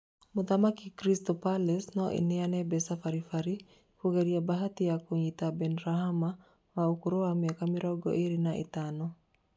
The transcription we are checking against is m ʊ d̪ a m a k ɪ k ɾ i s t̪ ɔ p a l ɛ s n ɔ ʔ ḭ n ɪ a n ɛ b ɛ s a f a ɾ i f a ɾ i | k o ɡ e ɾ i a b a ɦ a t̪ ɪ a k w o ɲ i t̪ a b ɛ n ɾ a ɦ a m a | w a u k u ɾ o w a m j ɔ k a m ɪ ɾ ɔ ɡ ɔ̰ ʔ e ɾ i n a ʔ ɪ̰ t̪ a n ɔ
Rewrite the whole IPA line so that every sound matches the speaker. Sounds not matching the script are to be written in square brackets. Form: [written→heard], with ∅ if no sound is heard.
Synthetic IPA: m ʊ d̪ a m a k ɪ k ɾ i s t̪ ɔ p a l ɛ s n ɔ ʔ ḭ n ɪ a n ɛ b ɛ s a f a ɾ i f a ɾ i | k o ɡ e ɾ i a b a ɦ a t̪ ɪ a k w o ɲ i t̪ a b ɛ n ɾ a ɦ a m a | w a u k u ɾ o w a m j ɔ k a m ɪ ɾ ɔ ɡ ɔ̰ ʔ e ɾ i n a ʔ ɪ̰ t̪ a n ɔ